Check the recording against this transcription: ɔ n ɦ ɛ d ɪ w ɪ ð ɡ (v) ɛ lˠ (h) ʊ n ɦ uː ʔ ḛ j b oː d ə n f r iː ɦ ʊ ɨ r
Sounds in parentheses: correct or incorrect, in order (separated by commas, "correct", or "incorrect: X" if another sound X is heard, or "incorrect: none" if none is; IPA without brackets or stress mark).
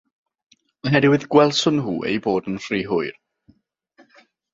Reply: incorrect: w, incorrect: s